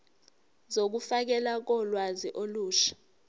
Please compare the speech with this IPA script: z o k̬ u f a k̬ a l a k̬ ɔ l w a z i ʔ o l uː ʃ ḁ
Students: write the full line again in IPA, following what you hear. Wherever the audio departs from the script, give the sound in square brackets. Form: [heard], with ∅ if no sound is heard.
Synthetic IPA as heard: z o k̬ u f a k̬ [ɛ] l a k̬ ɔ l w a z i ʔ o l uː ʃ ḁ